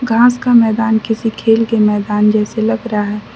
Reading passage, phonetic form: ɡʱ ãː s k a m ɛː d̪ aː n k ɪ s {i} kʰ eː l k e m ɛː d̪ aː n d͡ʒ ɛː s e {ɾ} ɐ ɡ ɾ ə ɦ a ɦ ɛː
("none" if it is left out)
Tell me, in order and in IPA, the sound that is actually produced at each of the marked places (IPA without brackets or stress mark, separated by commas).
i, l